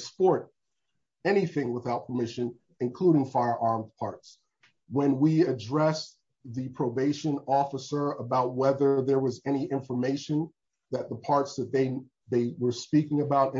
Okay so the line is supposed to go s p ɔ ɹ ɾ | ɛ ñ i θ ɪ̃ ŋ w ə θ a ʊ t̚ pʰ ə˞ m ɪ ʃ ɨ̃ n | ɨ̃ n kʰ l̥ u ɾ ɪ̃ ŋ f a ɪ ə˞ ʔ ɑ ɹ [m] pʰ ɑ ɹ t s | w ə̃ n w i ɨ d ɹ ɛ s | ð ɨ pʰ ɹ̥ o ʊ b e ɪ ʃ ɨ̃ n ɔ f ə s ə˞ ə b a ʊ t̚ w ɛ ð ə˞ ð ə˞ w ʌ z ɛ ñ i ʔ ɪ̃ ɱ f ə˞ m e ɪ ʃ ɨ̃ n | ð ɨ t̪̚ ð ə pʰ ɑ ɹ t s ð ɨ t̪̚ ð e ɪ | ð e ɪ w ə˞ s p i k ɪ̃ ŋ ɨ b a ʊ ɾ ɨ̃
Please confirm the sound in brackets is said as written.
yes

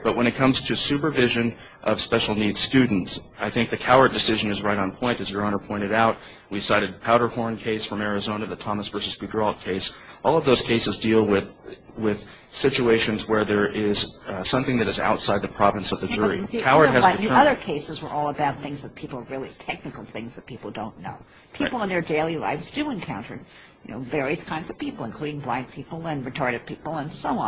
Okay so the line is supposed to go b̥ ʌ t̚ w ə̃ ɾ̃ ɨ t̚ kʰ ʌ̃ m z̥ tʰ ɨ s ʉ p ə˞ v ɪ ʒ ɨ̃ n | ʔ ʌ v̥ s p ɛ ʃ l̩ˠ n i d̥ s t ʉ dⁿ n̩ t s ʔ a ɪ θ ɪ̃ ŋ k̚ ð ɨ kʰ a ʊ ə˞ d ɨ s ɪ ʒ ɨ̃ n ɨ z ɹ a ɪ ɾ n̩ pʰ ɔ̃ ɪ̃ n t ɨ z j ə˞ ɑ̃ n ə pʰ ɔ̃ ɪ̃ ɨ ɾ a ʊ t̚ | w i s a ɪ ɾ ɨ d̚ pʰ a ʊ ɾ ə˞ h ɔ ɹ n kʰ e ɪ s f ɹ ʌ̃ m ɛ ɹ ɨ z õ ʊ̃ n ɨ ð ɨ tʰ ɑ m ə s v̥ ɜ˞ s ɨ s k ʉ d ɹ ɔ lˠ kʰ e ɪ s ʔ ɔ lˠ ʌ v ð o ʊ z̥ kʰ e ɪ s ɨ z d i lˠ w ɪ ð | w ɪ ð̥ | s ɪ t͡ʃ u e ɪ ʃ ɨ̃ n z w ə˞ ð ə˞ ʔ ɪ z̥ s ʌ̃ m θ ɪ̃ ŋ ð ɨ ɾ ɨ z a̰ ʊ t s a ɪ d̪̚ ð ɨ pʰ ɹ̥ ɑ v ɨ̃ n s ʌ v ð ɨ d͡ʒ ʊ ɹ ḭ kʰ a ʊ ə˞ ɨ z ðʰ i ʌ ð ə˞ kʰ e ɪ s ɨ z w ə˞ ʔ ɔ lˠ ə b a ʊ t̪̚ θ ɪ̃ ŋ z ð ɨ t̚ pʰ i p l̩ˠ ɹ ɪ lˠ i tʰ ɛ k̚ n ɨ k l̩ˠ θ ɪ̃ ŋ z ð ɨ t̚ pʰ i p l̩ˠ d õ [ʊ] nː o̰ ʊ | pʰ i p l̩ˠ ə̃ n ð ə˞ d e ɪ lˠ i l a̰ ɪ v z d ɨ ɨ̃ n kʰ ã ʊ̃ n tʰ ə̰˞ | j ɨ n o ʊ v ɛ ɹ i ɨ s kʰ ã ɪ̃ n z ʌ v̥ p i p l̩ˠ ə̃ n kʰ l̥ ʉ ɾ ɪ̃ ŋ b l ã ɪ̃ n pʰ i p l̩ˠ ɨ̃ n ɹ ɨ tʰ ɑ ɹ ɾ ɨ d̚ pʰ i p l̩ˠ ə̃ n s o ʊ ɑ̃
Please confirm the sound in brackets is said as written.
no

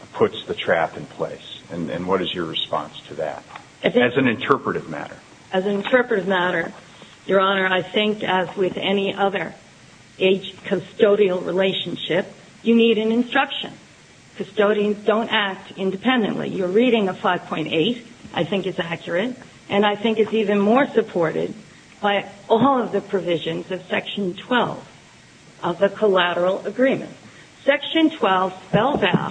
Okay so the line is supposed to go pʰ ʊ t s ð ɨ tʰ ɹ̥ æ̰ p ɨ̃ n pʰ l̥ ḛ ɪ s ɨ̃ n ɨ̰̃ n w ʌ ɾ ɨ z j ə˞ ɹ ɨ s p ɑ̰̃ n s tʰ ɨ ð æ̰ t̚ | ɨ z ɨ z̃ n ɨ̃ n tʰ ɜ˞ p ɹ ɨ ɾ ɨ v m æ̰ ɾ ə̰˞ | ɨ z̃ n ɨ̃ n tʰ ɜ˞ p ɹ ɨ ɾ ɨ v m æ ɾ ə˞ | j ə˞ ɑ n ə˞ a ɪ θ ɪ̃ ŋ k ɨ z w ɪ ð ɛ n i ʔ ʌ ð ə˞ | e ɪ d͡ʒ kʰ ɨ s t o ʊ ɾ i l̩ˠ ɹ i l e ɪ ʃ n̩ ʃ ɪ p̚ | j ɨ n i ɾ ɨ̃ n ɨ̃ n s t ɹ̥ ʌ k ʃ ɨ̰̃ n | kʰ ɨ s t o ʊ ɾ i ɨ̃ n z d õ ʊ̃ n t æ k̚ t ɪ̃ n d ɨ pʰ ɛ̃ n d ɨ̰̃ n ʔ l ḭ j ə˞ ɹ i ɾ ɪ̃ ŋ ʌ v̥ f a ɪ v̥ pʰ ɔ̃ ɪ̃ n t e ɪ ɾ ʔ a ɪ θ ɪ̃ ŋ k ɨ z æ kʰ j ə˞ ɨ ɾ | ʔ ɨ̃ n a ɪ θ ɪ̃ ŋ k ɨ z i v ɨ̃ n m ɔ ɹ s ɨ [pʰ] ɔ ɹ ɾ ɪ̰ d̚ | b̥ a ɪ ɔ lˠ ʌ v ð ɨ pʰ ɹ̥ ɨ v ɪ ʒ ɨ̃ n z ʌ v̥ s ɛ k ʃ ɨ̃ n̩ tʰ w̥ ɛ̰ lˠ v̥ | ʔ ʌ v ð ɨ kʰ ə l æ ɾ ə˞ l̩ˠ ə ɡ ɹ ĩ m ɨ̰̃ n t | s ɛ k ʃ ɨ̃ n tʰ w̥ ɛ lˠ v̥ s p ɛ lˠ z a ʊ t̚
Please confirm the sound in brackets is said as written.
yes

